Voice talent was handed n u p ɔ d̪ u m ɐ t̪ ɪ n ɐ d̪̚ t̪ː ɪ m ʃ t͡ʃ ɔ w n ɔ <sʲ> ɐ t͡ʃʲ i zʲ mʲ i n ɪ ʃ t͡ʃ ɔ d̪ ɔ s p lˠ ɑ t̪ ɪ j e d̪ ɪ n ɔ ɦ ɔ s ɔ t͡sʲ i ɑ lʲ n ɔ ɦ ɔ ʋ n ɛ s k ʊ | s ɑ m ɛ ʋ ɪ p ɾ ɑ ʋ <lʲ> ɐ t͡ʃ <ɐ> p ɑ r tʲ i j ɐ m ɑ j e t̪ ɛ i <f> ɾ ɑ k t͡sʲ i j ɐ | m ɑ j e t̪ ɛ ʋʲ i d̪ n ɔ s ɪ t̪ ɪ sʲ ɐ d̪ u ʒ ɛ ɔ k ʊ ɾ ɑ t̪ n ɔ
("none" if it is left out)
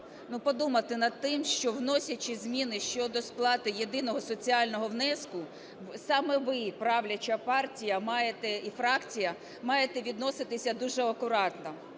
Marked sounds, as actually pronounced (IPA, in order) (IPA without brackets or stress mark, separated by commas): sʲ, lʲ, ɐ, f